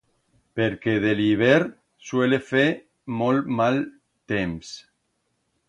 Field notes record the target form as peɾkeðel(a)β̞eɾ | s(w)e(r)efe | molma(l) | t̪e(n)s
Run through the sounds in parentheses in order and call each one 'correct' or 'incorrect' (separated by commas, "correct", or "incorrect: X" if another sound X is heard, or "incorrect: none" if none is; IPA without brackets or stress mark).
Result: incorrect: i, correct, incorrect: l, correct, incorrect: m